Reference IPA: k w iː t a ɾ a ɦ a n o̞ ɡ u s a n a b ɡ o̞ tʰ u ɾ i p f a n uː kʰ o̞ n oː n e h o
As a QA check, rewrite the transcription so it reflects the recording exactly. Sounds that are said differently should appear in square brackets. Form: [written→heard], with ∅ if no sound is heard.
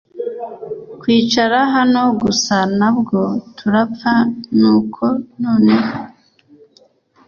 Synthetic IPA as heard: k w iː [t→t͡ʃ] a ɾ a ɦ a n o̞ ɡ u s a n a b ɡ o̞ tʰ u ɾ [i→a] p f a n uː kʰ o̞ n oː n e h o

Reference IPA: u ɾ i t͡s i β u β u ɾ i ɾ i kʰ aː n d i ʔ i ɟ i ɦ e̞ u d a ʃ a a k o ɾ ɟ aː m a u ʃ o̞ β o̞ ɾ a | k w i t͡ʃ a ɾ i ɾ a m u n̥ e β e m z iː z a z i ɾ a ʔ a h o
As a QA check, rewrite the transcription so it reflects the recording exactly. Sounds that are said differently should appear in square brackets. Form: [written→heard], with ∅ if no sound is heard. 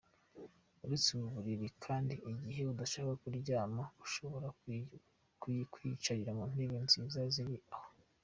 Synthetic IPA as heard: u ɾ i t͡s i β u β u ɾ i ɾ i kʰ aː n d i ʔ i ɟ i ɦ e̞ u d a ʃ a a k [o→u] ɾ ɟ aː m a u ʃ o̞ β o̞ ɾ a | k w i t͡ʃ a ɾ i ɾ a m u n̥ e β e [m→n] z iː z a z i ɾ [a→i] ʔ a h o

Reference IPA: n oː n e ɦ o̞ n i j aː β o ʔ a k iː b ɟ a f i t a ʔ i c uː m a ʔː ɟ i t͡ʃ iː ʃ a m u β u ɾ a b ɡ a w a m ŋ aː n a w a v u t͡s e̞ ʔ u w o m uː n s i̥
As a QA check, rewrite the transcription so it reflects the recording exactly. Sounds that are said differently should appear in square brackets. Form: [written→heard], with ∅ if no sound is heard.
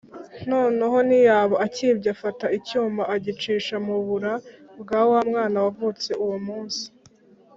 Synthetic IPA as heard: n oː n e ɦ o̞ n i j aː β o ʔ a [k→c] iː b ɟ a f [i→a] t a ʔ i c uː m a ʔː ɟ i t͡ʃ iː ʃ a m u β u ɾ a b ɡ a w a m ŋ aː n a w a v u t͡s e̞ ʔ u w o m uː n s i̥

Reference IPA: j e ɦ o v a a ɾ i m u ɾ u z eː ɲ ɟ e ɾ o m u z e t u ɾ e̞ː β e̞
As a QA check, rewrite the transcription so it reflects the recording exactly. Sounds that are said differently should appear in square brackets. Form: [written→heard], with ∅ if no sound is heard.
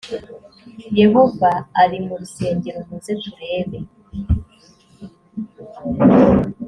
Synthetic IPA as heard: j e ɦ o v a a ɾ i m u ɾ u [z→s] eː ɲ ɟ e ɾ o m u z e t u ɾ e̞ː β e̞

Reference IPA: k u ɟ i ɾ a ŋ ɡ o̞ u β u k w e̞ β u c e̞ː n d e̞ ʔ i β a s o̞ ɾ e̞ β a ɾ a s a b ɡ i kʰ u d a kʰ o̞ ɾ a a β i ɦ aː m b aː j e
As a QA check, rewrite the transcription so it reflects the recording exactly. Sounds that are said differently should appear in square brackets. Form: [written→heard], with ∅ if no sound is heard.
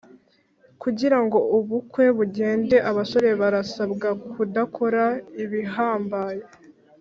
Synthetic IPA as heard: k u ɟ i ɾ a ŋ ɡ o̞ u β u k w e̞ β u [c→ɟ] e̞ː n d e̞ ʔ [i→a] β a s o̞ ɾ e̞ β a ɾ a s a b ɡ [i→a] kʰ u d a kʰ o̞ ɾ a [a→i] β i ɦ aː m b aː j e

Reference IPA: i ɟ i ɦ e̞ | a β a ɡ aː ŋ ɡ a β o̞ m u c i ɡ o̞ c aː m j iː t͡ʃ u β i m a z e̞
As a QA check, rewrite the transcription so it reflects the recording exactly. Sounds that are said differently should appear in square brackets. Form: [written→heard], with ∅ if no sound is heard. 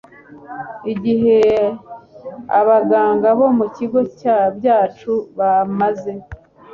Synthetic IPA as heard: i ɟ i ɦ e̞ | a β a ɡ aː ŋ ɡ a β o̞ m u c i ɡ o̞ c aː [m→b] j [iː→aː] t͡ʃ u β [i→a] m a z e̞

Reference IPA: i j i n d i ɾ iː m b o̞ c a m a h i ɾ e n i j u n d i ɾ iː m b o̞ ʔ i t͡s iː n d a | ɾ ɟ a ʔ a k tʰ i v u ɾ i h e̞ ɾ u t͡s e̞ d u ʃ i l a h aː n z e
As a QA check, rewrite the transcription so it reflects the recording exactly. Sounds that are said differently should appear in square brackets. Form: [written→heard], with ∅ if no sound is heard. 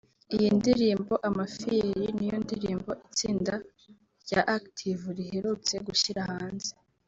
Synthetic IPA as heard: i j i n d i ɾ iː m b o̞ [c→ʔ] a m a [h→f] i ɾ [e→i] n i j [u→o] n d i ɾ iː m b o̞ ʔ i t͡s iː n d a | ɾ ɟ a ʔ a k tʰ i v u ɾ i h e̞ ɾ u t͡s e̞ [d→ɡ] u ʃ i [l→ɾ] a h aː n z e

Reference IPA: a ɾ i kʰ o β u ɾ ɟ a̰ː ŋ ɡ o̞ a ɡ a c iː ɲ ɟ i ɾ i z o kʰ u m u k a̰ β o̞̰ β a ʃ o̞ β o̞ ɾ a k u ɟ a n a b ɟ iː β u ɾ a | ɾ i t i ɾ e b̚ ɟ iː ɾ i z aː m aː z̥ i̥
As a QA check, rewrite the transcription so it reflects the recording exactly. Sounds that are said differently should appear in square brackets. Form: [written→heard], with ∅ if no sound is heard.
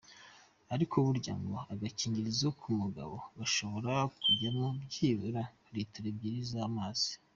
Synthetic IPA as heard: a ɾ i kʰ o β u ɾ ɟ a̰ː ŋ ɡ o̞ a ɡ a c iː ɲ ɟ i ɾ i z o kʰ u m u [k→ɡ] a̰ β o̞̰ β a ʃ o̞ β o̞ ɾ a k u ɟ a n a b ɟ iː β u ɾ a | ɾ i t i ɾ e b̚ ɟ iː ɾ i z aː m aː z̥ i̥

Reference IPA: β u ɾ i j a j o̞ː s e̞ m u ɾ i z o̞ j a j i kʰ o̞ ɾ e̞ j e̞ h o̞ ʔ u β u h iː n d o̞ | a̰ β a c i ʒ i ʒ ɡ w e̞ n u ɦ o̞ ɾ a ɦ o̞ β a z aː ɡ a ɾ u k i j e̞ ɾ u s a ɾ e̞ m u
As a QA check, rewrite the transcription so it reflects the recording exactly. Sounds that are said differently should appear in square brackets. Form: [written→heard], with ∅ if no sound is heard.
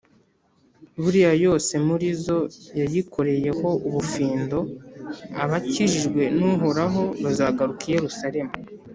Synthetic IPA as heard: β u ɾ i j a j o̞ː s e̞ m u ɾ i z o̞ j a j i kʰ o̞ ɾ e̞ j e̞ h o̞ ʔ u β u [h→f] iː n d o̞ | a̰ β a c i ʒ i ʒ ɡ w e̞ n u ɦ o̞ ɾ a ɦ o̞ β a z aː ɡ a ɾ u k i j e̞ ɾ u s a ɾ e̞ m u

